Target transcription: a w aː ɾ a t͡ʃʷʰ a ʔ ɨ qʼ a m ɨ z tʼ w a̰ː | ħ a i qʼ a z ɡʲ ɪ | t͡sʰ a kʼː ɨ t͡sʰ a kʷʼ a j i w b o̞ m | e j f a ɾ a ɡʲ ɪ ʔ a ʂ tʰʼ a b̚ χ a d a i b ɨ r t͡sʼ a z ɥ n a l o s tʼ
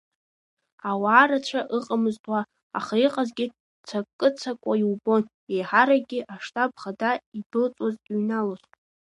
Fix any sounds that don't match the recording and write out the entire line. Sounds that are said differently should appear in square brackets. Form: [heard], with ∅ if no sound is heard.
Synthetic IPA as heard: a w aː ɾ a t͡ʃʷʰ a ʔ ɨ qʼ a m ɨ z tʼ w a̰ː | [χ] a i qʼ a z ɡʲ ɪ | t͡sʰ a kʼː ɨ t͡sʰ a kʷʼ a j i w b o̞ [n] | e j [ħ] a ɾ a ɡʲ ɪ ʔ a ʂ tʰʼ a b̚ χ a d a i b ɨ [l] t͡sʼ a z ɥ n a l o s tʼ